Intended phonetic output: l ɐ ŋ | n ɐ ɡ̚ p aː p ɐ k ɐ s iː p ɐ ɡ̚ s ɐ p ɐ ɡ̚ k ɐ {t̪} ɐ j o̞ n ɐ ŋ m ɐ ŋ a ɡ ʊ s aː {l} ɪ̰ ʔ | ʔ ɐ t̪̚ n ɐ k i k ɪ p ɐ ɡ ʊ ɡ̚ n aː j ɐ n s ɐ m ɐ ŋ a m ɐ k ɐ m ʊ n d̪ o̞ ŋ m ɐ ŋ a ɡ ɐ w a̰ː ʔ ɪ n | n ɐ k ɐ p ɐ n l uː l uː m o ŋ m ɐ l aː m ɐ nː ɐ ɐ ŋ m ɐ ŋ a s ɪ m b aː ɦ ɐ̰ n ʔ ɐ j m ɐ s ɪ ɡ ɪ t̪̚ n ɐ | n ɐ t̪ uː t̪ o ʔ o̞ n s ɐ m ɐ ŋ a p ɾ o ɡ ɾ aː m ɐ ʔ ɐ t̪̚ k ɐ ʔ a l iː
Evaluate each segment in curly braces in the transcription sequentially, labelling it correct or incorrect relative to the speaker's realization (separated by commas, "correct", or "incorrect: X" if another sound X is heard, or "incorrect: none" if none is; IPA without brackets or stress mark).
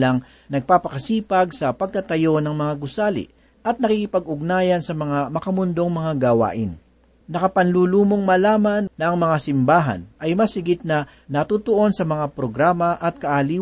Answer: correct, correct